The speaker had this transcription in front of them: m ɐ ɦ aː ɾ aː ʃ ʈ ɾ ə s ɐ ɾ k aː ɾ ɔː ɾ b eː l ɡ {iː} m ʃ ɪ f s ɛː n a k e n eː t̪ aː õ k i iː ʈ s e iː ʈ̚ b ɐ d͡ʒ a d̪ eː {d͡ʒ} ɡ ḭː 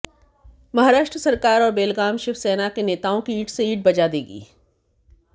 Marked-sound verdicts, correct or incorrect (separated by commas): incorrect, incorrect